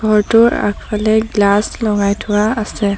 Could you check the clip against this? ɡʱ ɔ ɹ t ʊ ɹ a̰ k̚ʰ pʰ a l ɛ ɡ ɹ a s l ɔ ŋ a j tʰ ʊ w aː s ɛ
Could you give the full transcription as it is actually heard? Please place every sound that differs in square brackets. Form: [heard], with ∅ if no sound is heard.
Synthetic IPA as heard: ɡʱ ɔ ɹ t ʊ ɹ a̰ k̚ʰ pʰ a l ɛ ɡ [l] a s l ɔ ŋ a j tʰ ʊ w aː s ɛ